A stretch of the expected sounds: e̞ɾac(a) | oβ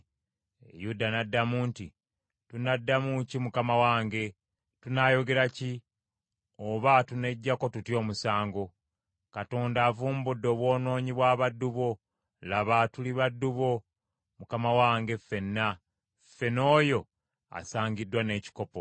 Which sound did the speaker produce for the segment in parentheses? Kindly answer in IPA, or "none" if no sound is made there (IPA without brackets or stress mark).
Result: i